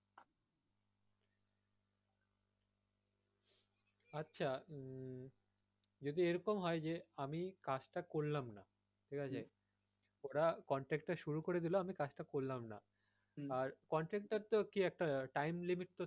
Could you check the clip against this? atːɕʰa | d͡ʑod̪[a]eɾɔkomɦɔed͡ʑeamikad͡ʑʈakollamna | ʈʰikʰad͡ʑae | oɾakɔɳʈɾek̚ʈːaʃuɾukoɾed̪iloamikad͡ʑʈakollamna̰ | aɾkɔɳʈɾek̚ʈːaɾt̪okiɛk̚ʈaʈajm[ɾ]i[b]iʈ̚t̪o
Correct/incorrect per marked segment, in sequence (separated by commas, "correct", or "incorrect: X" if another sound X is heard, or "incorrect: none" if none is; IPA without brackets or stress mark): incorrect: i, incorrect: l, incorrect: m